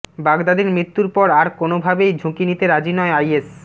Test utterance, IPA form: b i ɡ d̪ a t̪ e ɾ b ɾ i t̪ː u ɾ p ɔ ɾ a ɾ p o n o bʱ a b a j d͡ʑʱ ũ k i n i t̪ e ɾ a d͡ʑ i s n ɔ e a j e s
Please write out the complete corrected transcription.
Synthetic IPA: b a ɡ d̪ a d̪ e ɾ m ɾ i t̪ː u ɾ p ɔ ɾ a ɾ k o n o bʱ a b e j d͡ʑʱ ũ k i n i t̪ e ɾ a d͡ʑ i n ɔ e a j e s